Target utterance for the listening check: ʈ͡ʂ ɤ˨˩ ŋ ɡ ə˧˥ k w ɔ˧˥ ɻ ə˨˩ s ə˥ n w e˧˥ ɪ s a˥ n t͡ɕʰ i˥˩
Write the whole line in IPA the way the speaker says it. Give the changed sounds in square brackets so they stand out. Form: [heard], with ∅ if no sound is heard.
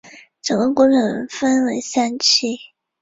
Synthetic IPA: ʈ͡ʂ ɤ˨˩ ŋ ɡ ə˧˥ k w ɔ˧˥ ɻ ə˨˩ [f] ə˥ n w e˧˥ ɪ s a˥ n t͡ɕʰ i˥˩